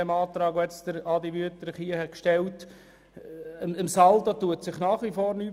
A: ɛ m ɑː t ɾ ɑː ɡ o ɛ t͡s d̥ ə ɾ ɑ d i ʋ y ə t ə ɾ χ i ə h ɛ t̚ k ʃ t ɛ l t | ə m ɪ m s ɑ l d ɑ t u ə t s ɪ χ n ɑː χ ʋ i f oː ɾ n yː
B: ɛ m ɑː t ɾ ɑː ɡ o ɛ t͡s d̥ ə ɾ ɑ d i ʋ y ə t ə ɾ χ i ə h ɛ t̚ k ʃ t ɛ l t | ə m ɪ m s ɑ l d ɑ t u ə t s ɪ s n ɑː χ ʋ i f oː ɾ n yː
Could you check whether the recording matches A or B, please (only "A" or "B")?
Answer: A